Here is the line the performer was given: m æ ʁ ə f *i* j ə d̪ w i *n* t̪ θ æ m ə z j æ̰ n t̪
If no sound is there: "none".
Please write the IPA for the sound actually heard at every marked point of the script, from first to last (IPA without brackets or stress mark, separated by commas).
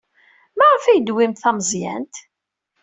æ, m